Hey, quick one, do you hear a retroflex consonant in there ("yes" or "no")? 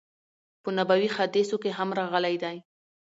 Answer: no